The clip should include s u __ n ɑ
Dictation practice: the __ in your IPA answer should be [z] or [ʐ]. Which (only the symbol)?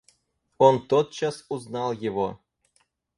z